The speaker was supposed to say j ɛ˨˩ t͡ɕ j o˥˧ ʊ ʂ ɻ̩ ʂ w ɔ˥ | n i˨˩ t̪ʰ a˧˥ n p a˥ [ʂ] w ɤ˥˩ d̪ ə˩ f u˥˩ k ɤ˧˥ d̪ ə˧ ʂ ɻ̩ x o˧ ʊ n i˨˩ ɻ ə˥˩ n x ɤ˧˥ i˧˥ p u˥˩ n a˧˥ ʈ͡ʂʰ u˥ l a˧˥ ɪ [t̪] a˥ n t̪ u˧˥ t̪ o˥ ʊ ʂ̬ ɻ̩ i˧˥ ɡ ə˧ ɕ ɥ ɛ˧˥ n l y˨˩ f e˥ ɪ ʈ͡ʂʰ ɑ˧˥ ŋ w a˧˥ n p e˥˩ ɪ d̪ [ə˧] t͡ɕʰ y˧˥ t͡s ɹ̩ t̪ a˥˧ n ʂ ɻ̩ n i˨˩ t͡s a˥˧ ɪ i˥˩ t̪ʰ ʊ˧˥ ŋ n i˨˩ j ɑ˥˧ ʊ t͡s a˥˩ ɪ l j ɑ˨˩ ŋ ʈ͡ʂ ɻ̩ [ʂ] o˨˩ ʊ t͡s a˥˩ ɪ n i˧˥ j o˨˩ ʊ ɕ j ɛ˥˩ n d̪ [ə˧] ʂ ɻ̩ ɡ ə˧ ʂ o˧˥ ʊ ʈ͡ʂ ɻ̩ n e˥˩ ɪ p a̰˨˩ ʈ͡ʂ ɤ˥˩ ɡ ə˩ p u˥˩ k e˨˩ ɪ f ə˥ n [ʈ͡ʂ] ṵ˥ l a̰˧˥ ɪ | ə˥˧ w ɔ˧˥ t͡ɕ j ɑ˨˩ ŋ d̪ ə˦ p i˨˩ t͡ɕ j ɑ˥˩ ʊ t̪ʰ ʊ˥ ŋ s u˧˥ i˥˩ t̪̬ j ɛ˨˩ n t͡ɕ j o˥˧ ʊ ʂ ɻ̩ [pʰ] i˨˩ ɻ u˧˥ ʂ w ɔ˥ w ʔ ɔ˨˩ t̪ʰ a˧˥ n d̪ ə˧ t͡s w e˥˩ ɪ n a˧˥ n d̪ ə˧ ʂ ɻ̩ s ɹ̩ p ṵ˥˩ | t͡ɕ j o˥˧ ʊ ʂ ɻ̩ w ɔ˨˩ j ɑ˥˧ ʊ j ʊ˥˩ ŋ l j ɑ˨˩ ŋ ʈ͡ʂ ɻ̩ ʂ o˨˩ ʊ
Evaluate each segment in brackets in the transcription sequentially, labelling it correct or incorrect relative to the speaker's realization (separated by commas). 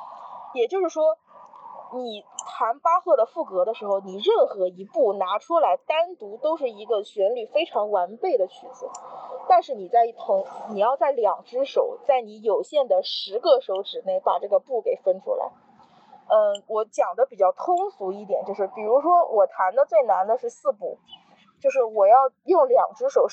incorrect, correct, incorrect, correct, incorrect, incorrect, incorrect